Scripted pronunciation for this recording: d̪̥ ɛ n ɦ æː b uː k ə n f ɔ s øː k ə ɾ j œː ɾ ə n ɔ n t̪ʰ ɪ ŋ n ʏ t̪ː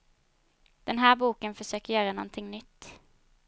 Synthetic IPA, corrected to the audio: d̪̥ ɛ n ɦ æː b uː k ə n f ɔ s øː k ə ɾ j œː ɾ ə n ɔ n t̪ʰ ɪ ŋ n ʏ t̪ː